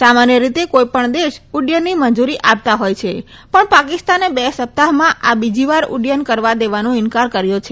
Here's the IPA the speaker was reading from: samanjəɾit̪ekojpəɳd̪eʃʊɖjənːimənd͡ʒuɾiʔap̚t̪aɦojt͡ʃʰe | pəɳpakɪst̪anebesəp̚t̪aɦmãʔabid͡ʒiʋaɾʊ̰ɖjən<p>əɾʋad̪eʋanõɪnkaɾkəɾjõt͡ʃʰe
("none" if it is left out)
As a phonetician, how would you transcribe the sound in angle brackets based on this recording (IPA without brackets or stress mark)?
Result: k